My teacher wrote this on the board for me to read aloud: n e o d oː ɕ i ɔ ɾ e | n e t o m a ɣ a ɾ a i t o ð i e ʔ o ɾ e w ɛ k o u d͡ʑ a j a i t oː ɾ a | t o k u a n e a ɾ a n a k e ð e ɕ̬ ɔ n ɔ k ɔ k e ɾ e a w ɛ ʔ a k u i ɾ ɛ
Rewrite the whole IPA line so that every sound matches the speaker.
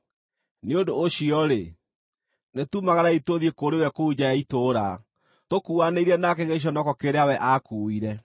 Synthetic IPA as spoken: n e o d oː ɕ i ɔ ɾ e | n e t u m a ɣ a ɾ a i t o ð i e k o ɾ e w ɛ k o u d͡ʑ a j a i t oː ɾ a | t o k u a n e i ɾ ɛ n a k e ɣ e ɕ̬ ɔ n ɔ k ɔ k e ɾ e a w ɛ ʔ a k u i ɾ ɛ